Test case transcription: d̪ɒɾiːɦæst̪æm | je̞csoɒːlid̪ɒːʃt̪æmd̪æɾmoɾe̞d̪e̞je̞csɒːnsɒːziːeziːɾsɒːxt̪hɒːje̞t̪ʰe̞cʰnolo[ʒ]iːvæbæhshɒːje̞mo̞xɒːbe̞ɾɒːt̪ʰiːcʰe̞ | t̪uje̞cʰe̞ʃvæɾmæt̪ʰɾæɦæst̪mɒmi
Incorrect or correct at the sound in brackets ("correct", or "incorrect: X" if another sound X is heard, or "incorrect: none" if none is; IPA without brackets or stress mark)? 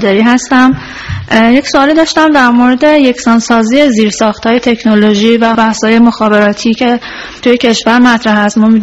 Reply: correct